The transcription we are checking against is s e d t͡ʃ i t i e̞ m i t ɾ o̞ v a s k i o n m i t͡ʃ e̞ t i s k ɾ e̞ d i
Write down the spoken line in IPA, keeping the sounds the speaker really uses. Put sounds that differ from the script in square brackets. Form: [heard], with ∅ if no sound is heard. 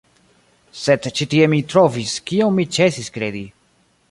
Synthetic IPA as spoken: s e d t͡ʃ i t i e̞ m i t ɾ o̞ v [i] s k i o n m i t͡ʃ e̞ [s] i s k ɾ e̞ d i